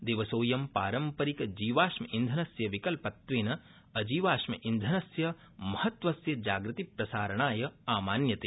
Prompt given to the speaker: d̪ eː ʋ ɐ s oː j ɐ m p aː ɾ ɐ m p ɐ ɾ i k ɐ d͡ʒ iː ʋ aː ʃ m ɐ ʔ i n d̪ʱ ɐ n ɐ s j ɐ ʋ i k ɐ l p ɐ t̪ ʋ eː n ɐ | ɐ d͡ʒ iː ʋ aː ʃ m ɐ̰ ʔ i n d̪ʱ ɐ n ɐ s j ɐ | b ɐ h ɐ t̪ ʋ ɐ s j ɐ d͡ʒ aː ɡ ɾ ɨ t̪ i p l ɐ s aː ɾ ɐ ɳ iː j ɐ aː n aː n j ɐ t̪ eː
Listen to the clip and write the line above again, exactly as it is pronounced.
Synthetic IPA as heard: d̪ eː ʋ ɐ s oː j ɐ m p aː ɾ ɐ m p ɐ ɾ i k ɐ d͡ʒ iː ʋ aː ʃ m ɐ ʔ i n d̪ʱ ɐ n ɐ s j ɐ ʋ i k ɐ l p ɐ t̪ ʋ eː n ɐ | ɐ d͡ʒ iː ʋ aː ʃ m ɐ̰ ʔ i n d̪ʱ ɐ n ɐ s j ɐ | m ɐ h ɐ t̪ ʋ ɐ s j ɐ d͡ʒ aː ɡ ɾ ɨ t̪ i p ɾ ɐ s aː ɾ ɐ ɳ aː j ɐ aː m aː n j ɐ t̪ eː